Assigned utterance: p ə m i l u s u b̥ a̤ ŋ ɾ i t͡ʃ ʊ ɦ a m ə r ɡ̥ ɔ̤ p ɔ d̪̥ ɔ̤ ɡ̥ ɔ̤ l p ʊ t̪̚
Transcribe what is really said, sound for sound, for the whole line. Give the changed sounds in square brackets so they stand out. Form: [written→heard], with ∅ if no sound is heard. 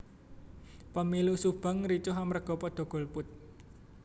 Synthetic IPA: p ə m i l u s u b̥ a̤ ŋ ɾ i t͡ʃ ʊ ɦ a m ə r ɡ̥ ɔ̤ p ɔ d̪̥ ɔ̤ ɡ̥ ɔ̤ l p ʊ t̪̚